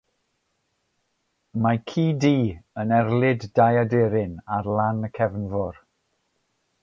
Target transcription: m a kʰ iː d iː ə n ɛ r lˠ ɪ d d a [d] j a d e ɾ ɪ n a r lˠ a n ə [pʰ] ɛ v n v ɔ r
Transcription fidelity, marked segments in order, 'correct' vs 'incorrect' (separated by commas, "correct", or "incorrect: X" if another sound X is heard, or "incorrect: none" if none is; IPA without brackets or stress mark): incorrect: none, incorrect: kʰ